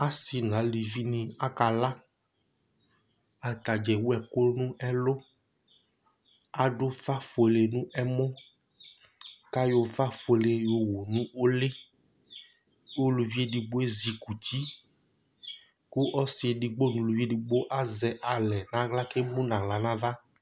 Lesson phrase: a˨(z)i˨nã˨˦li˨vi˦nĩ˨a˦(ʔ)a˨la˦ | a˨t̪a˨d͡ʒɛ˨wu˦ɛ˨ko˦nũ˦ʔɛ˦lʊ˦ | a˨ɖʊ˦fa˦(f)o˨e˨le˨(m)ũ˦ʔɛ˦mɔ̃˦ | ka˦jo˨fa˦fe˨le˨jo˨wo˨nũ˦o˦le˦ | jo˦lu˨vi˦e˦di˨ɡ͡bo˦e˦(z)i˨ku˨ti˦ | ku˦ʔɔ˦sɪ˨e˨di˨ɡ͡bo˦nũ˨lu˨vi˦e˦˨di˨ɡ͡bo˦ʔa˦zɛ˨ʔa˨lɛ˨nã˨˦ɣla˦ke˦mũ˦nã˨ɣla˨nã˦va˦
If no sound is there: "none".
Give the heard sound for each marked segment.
s, k, f, n, z

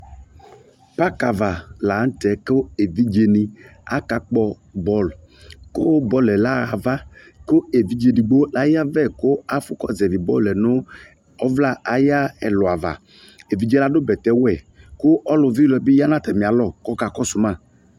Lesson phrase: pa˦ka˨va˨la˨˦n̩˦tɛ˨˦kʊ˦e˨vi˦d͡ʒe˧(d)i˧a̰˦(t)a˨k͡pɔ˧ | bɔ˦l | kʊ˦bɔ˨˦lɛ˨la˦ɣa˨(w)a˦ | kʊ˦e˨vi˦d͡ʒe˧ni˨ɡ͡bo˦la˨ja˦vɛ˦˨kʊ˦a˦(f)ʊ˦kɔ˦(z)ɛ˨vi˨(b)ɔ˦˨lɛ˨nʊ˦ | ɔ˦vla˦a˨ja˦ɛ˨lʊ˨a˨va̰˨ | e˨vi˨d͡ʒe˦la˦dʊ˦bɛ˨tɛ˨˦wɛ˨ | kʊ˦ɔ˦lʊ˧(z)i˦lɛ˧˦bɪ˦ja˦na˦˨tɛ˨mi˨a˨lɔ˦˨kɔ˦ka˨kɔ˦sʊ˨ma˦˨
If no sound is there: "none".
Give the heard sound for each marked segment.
n, k, v, f, z, b, v

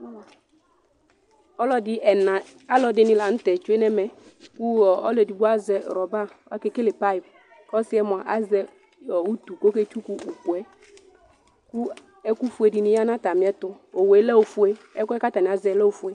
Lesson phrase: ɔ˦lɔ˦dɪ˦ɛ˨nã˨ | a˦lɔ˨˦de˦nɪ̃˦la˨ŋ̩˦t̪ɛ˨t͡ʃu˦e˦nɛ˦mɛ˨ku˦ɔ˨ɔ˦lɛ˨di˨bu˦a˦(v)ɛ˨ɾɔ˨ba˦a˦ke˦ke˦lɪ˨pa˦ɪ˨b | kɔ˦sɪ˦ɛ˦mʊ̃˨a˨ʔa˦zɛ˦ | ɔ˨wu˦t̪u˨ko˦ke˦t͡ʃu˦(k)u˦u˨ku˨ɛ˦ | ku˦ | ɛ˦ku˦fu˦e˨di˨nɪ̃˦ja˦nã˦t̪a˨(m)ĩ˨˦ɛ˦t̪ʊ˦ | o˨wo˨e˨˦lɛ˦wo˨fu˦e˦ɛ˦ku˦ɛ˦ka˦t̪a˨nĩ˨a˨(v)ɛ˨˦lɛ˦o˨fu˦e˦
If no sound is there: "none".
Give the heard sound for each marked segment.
z, k, m, z

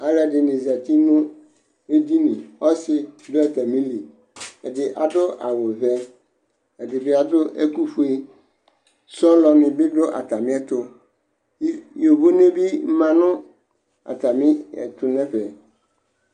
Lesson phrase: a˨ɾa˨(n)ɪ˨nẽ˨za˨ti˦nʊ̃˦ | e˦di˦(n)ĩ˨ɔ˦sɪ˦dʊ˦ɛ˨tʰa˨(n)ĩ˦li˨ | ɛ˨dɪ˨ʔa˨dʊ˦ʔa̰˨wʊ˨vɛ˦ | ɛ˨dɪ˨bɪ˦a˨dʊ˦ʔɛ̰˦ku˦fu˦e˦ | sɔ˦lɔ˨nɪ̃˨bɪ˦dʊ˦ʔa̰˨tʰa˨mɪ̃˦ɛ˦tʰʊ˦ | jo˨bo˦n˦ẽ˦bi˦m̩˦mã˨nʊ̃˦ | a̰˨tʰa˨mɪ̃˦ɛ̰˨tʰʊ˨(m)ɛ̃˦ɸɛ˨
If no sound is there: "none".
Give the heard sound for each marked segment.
d, n, m, n

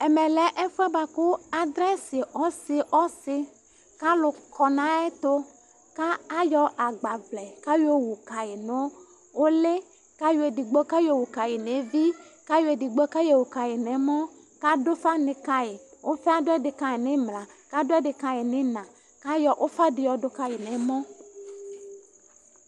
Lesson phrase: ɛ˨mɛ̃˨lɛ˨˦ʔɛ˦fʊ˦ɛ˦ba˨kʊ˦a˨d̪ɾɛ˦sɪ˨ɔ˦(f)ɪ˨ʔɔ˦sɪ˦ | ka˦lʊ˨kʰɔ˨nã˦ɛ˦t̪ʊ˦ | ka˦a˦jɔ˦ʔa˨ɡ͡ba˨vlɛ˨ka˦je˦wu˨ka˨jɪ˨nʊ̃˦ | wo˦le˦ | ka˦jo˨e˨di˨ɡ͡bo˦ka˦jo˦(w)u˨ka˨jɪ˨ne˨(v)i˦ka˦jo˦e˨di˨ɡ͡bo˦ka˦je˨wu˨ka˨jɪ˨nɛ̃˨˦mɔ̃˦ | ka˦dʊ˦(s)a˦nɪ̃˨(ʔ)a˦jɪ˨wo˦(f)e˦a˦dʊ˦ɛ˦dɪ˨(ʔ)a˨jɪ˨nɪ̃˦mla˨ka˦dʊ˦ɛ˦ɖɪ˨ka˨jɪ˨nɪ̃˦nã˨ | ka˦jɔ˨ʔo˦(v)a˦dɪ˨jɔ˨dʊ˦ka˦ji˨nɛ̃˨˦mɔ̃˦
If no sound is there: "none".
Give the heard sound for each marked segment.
s, w, v, f, k, f, k, f

